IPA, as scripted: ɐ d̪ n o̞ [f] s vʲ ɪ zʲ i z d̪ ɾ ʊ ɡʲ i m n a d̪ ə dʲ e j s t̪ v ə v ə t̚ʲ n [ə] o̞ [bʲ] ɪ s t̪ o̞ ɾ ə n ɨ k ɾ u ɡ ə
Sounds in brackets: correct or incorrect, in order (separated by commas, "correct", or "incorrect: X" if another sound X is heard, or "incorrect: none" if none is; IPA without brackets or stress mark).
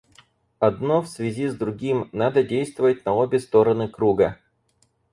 correct, incorrect: ɐ, correct